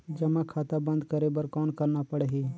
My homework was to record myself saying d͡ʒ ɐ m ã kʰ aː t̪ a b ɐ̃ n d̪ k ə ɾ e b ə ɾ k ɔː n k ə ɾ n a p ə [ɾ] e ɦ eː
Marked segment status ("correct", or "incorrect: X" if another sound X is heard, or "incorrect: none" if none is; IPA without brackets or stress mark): incorrect: ɽ